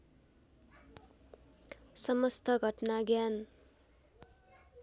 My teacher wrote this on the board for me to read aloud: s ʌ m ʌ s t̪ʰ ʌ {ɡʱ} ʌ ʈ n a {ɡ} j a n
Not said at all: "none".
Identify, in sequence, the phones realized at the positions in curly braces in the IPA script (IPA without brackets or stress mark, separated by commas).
ɡʱ, ɡ